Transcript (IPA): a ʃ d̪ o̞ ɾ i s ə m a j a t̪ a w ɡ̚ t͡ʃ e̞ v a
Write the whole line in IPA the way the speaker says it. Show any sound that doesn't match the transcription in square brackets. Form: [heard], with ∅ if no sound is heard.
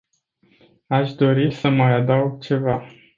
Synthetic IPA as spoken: a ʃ d̪ o̞ ɾ i s ə m a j a [d̪] a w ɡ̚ t͡ʃ e̞ v a